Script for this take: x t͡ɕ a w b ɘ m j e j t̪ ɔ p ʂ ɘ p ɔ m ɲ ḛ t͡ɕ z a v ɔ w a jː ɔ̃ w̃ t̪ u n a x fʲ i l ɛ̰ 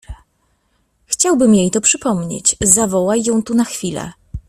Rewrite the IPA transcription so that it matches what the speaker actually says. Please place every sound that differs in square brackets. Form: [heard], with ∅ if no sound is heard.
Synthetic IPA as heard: x t͡ɕ a w b ɘ m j e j t̪ ɔ p ʂ ɘ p ɔ m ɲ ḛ t͡ɕ z a v ɔ w a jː ɔ̃ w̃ t̪ u n a x fʲ i l ɛ̰